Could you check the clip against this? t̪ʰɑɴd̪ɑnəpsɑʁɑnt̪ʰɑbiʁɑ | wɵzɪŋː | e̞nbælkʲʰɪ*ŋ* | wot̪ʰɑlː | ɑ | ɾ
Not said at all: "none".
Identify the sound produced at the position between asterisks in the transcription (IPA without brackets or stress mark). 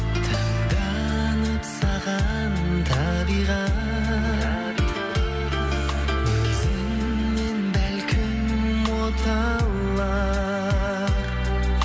m